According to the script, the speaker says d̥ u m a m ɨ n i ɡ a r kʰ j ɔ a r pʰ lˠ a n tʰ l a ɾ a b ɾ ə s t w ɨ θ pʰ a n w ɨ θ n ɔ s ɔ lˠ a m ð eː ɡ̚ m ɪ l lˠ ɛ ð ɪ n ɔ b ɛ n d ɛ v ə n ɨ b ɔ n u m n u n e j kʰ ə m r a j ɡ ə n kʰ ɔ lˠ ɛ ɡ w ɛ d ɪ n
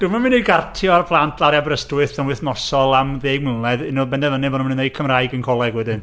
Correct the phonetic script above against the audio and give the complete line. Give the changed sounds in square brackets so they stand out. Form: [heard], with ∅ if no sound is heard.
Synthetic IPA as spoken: d̥ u m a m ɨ n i ɡ a r [tʰ] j ɔ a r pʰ lˠ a n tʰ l a ɾ a b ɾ ə s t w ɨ θ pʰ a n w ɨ θ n ɔ s ɔ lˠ a m ð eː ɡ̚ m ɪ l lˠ ɛ ð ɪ n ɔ b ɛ n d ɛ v ə n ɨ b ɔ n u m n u n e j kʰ ə m r a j ɡ ə n kʰ ɔ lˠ ɛ ɡ w ɛ d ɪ n

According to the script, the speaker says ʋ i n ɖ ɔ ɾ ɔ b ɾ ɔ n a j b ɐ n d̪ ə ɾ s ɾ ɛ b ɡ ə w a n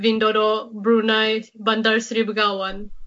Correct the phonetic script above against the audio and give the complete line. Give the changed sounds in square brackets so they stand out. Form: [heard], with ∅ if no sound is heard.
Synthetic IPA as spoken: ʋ i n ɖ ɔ ɾ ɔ b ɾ [u] n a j b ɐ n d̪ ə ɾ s ɾ [i] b ɡ [a] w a n

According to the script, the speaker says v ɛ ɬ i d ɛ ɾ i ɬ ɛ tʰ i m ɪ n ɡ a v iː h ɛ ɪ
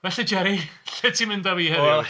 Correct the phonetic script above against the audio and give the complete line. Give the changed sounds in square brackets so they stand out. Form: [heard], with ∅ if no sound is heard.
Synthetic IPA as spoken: v ɛ ɬ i [d͡ʒ] ɛ ɾ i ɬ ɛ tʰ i m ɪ n [d] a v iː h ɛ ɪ

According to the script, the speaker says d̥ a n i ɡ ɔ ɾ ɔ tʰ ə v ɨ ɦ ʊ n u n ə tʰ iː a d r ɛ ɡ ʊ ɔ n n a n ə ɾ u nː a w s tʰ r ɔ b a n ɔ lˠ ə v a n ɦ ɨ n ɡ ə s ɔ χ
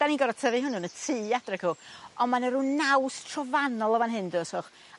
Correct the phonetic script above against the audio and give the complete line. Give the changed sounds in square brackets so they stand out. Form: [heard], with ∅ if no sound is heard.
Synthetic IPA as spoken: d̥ a n i ɡ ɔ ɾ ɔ tʰ ə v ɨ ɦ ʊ n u n ə tʰ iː a d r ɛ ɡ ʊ ɔ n [m] a n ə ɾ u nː a w s tʰ r ɔ [v] a n ɔ lˠ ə v a n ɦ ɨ n [d] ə s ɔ χ

